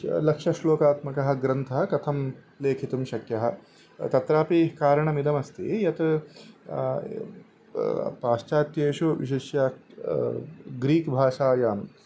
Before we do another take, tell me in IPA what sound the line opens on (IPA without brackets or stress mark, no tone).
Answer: l